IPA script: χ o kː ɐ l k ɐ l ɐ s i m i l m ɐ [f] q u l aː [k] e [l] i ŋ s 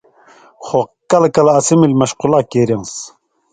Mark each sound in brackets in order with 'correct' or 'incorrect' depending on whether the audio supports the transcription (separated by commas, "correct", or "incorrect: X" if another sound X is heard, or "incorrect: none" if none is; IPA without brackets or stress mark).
incorrect: ʃ, correct, incorrect: ɾ